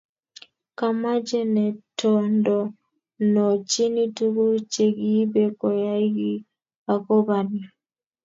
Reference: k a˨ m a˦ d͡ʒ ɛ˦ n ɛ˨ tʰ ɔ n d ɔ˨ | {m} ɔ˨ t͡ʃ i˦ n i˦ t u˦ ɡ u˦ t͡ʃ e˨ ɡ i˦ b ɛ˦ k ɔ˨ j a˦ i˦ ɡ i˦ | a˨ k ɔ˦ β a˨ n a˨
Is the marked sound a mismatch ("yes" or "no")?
yes